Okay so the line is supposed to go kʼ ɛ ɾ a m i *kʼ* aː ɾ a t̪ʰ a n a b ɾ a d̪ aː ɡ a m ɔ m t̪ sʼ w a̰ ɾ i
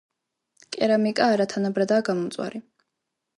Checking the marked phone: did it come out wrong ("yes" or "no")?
no